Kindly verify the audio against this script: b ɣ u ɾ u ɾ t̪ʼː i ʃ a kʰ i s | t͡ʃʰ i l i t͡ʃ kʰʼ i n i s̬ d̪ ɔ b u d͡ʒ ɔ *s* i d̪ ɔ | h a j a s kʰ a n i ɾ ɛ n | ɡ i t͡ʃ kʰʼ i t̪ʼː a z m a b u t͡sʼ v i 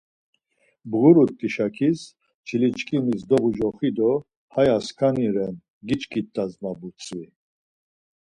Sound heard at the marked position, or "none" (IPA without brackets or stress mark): χ